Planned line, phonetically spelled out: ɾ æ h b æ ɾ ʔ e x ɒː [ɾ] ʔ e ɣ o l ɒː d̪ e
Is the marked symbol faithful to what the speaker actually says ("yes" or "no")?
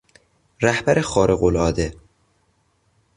yes